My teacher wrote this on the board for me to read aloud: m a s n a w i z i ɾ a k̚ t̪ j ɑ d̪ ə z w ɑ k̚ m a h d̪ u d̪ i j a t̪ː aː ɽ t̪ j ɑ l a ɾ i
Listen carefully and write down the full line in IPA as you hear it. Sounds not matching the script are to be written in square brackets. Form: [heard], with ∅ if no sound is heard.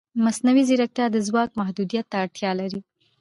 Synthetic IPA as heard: m a s n a w i z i ɾ a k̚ t̪ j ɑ d̪ ə z w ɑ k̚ m a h d̪ u d̪ i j a t̪ː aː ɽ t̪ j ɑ l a ɾ i